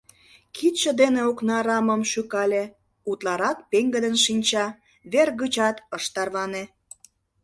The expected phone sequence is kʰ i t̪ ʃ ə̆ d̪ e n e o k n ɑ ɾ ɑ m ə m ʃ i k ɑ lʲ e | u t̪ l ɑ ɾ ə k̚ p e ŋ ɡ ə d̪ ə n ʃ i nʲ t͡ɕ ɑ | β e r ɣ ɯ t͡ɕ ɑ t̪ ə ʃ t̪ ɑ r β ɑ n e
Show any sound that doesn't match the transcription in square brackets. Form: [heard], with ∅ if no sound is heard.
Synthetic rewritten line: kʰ i t̪ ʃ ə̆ d̪ e n e o k n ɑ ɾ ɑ m ə m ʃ [y] k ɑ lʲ e | u t̪ l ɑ ɾ [ɑ] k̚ p e ŋ ɡ ə d̪ ə n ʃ i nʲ t͡ɕ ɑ | β e r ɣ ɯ t͡ɕ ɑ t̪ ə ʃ t̪ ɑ r β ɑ n e

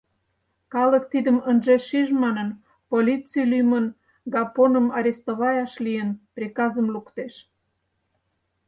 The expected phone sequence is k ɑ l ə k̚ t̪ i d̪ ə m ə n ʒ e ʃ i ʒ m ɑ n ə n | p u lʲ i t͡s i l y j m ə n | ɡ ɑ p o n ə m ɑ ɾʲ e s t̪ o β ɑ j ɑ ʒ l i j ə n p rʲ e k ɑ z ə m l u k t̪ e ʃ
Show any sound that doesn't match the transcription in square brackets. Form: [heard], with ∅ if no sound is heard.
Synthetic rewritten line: k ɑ l ə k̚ t̪ i d̪ ə m ə n ʒ e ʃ i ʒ m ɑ n ə n | p [o] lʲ i t͡s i l y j m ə n | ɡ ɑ p o n ə m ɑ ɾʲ e s t̪ o β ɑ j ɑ [ʃ] l i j ə n p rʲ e k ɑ z ə m l u k t̪ e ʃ

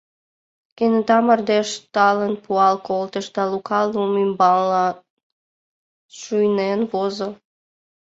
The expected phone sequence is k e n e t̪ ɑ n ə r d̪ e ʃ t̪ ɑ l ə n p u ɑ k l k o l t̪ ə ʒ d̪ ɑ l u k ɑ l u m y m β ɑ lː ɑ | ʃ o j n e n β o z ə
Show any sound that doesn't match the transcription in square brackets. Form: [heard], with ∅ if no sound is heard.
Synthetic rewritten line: k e n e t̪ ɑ [m] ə r d̪ e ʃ t̪ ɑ l ə n p u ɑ [∅] l k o l t̪ ə [ʃ] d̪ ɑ l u k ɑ l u m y m [b] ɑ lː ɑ | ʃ [u] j n e n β o z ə

